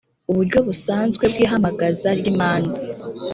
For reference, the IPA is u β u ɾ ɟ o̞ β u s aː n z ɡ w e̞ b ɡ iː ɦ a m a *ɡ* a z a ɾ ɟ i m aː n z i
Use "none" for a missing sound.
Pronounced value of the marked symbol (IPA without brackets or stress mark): ɡ